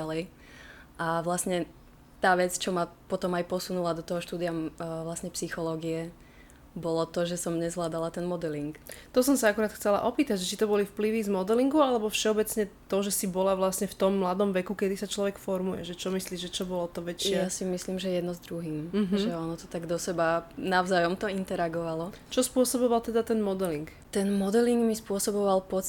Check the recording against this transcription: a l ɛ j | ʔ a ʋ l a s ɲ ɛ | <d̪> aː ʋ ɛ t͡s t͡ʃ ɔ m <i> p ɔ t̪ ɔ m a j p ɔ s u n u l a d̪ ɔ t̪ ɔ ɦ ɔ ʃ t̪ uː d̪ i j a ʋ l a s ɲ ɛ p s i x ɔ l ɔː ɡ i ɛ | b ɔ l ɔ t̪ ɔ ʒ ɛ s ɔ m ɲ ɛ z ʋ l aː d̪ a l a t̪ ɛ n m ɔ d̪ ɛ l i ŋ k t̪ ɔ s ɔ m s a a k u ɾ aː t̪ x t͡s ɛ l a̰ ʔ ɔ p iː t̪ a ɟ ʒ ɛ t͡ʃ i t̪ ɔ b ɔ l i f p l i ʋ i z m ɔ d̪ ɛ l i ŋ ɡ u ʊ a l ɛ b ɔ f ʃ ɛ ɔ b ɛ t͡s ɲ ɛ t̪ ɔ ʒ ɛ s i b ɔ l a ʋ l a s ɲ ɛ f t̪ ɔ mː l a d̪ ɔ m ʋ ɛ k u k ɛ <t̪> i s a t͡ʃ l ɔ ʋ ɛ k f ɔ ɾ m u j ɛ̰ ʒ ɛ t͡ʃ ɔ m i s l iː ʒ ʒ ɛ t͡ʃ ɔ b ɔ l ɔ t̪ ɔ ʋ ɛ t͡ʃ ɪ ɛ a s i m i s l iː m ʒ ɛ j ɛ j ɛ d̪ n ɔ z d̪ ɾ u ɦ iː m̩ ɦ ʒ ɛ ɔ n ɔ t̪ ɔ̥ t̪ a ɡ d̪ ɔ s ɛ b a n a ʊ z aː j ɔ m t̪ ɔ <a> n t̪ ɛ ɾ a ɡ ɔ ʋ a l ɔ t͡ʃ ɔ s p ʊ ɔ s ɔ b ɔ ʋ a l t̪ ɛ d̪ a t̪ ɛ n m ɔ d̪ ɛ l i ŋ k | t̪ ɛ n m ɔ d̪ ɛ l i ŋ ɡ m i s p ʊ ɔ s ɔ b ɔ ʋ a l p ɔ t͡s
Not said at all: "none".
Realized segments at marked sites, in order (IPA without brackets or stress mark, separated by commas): t̪, a, d̪, i